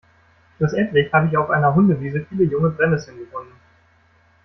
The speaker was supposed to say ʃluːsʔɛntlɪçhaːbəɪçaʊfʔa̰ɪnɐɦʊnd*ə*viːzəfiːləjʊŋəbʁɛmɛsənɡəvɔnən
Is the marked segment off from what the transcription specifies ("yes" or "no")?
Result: no